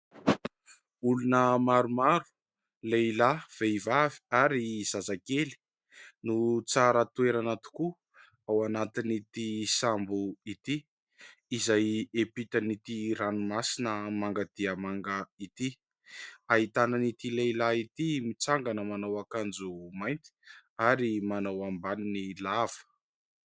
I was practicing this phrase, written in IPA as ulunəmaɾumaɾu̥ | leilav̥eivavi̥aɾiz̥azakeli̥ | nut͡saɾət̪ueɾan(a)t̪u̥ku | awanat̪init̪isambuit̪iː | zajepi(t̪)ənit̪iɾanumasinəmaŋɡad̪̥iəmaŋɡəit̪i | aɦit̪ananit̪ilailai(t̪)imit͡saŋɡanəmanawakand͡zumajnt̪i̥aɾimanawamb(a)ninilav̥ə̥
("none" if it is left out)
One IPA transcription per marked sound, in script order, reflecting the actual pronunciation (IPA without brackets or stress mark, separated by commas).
a, t̪, t̪, a